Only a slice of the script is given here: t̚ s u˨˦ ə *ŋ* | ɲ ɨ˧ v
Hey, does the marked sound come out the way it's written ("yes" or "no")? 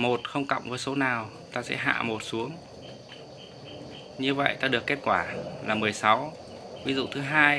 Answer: yes